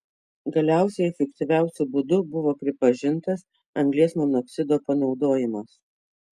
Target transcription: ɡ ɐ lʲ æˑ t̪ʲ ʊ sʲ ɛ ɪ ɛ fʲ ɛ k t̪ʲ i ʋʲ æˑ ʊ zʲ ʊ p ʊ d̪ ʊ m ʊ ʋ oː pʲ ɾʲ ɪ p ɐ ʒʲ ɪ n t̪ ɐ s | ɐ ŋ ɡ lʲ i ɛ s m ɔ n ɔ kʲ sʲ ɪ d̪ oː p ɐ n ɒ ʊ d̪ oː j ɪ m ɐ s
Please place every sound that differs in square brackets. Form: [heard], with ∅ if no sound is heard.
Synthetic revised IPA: ɡ ɐ lʲ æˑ [∅] ʊ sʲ ɛ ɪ ɛ fʲ ɛ k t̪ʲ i ʋʲ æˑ ʊ [sʲ] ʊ [b] ʊ d̪ ʊ [b] ʊ ʋ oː pʲ ɾʲ ɪ p ɐ ʒʲ ɪ n t̪ ɐ s | ɐ ŋ ɡ lʲ i ɛ s m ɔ n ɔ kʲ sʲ ɪ d̪ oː p ɐ n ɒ ʊ d̪ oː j ɪ m ɐ s

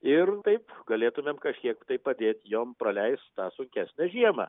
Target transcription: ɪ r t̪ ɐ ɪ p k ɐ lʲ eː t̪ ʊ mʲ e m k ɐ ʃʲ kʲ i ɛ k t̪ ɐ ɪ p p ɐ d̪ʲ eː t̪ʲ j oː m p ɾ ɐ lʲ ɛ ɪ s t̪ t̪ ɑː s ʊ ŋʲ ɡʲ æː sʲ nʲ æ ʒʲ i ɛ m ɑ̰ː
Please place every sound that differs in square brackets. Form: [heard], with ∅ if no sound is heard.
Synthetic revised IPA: ɪ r t̪ ɐ ɪ p [ɡ] ɐ lʲ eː t̪ ʊ mʲ e m k ɐ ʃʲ kʲ i ɛ k t̪ ɐ ɪ p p ɐ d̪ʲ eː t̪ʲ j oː m p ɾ ɐ lʲ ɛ ɪ s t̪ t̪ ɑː s ʊ ŋʲ [kʲ] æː sʲ nʲ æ ʒʲ i ɛ m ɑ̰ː

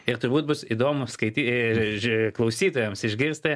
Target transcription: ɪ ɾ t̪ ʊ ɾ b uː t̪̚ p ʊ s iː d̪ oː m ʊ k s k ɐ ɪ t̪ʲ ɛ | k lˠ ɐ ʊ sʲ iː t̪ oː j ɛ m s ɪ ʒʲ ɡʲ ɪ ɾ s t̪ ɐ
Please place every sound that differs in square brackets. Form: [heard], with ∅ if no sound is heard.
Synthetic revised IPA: ɪ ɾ t̪ ʊ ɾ b uː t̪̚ [b] ʊ s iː d̪ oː m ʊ [∅] s k ɐ ɪ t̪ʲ [i] | k lˠ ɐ ʊ sʲ iː t̪ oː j ɛ m s ɪ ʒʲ ɡʲ ɪ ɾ s t̪ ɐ

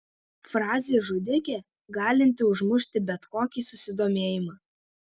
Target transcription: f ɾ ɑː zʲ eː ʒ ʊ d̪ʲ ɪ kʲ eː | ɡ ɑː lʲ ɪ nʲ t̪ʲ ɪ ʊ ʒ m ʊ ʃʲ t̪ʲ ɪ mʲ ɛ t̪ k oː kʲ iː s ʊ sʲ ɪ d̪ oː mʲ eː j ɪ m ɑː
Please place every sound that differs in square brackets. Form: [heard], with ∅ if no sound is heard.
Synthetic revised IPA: f ɾ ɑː zʲ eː ʒ ʊ d̪ʲ ɪ kʲ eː | ɡ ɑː lʲ ɪ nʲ t̪ʲ ɪ ʊ ʒ m ʊ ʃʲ t̪ʲ ɪ [bʲ] ɛ t̪ k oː kʲ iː s ʊ sʲ ɪ d̪ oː mʲ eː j ɪ m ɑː

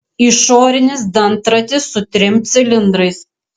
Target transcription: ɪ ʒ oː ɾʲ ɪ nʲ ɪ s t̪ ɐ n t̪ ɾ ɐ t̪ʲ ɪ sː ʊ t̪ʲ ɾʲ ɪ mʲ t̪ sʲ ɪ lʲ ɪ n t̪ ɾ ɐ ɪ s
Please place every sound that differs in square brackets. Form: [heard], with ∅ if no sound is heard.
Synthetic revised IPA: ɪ [ʃ] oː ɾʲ ɪ nʲ ɪ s [d̪] ɐ n t̪ ɾ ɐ t̪ʲ ɪ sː ʊ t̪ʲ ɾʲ ɪ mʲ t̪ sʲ ɪ lʲ ɪ n [d̪] ɾ ɐ ɪ s

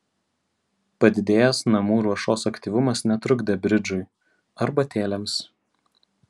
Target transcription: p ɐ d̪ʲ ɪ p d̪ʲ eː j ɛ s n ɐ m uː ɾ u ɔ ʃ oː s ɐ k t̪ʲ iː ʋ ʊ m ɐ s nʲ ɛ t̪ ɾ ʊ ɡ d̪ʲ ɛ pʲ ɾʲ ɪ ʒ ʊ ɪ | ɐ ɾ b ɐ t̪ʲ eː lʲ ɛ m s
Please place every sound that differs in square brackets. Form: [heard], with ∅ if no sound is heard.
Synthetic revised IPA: p ɐ d̪ʲ ɪ [∅] d̪ʲ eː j ɛ s n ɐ m uː ɾ u ɔ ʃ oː s ɐ k t̪ʲ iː ʋ ʊ m ɐ s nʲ ɛ t̪ ɾ ʊ ɡ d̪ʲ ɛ [bʲ] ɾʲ ɪ [d͡ʒ] ʊ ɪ | ɐ ɾ b ɐ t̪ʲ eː lʲ ɛ m s

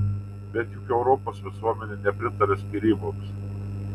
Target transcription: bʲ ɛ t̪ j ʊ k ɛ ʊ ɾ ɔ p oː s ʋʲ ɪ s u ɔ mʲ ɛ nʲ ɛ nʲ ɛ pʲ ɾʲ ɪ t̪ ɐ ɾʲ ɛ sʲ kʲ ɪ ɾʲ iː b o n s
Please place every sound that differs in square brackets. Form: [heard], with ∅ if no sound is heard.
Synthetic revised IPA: bʲ ɛ t̪ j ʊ k ɛ ʊ ɾ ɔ p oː s ʋʲ ɪ s u ɔ mʲ ɛ nʲ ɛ nʲ ɛ pʲ ɾʲ ɪ t̪ ɐ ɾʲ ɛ sʲ kʲ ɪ ɾʲ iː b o [m] s

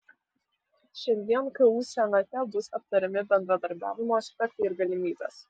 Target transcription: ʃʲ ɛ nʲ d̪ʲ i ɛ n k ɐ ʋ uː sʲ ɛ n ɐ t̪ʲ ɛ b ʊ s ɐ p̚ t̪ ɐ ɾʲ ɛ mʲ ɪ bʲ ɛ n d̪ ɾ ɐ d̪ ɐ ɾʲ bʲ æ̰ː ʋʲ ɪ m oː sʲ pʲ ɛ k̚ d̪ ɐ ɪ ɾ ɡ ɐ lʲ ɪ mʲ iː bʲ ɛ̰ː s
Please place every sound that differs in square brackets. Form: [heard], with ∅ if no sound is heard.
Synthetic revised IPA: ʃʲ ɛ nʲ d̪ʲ i ɛ n k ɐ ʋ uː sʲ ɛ n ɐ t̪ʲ ɛ b ʊ s ɐ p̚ t̪ ɐ ɾʲ ɛ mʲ ɪ bʲ ɛ n d̪ ɾ ɐ d̪ ɐ ɾʲ bʲ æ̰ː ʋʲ ɪ m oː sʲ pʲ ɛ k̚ [t̪] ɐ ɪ ɾ ɡ ɐ lʲ ɪ mʲ iː bʲ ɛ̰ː s

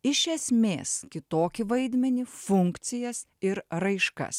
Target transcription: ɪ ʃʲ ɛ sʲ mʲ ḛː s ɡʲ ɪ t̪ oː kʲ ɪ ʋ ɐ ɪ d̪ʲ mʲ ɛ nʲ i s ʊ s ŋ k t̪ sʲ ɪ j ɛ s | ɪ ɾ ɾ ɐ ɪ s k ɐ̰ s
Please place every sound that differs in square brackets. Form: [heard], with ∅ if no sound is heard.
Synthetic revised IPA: ɪ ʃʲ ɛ sʲ mʲ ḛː s [kʲ] ɪ t̪ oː kʲ ɪ ʋ ɐ ɪ d̪ʲ mʲ ɛ nʲ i [f] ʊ [∅] ŋ k t̪ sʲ ɪ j ɛ s | ɪ ɾ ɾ ɐ ɪ [ʃ] k ɐ̰ s

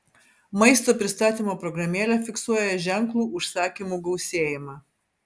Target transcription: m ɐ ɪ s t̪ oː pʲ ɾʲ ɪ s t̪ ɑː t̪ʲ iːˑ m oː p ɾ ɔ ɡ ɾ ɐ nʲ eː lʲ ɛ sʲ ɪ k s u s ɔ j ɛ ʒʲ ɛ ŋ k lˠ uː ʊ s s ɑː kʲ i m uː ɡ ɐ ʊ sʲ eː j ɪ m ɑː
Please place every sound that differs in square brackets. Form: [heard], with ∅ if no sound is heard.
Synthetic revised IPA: m ɐ ɪ s t̪ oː pʲ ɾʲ ɪ s t̪ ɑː t̪ʲ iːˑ m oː p ɾ ɔ ɡ ɾ ɐ [mʲ] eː lʲ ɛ [fʲ] ɪ k s u [∅] ɔ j ɛ ʒʲ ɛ ŋ k lˠ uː ʊ [ʃ] s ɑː kʲ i m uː ɡ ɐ ʊ sʲ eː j ɪ m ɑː

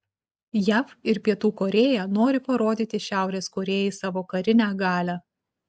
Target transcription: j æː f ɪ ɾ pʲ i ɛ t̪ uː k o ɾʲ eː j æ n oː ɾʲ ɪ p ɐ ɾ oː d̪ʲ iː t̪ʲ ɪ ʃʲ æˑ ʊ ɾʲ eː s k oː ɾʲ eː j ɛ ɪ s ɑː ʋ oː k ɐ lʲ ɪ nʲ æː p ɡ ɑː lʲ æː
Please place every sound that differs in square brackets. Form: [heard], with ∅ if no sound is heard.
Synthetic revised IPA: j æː f ɪ ɾ pʲ i ɛ t̪ uː k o ɾʲ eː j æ n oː ɾʲ ɪ p ɐ ɾ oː d̪ʲ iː t̪ʲ ɪ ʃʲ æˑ ʊ ɾʲ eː s k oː ɾʲ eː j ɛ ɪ s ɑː ʋ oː k ɐ [ɾʲ] ɪ nʲ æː [∅] ɡ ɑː lʲ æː

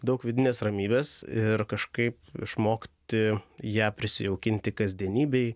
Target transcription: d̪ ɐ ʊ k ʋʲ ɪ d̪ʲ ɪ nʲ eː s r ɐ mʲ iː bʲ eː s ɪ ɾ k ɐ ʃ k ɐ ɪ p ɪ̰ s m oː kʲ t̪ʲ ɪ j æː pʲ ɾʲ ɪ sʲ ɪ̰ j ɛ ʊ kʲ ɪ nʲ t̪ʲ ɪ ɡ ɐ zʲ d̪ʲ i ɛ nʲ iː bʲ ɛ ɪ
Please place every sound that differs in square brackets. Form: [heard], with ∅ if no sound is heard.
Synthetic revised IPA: d̪ ɐ ʊ k ʋʲ ɪ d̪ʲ ɪ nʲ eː s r ɐ mʲ iː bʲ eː s ɪ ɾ k ɐ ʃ k ɐ ɪ p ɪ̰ [ʃ] m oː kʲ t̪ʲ ɪ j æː pʲ ɾʲ ɪ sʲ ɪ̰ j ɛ ʊ kʲ ɪ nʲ t̪ʲ ɪ [k] ɐ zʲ d̪ʲ i ɛ nʲ iː bʲ ɛ ɪ

